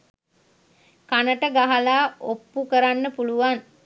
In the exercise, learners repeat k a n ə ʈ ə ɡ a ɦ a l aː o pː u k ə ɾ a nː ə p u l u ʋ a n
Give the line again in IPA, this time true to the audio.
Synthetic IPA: k a n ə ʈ ə ɡ a ɦ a l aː o pː u k ə ɾ a nː ə p u l u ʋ a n